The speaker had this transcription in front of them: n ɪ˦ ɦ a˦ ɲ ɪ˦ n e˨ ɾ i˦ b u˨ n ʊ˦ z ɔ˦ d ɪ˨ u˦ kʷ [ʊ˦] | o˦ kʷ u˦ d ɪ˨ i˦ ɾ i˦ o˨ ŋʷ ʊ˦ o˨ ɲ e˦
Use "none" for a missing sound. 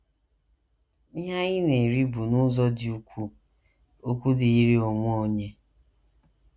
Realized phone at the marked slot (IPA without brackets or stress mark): u˦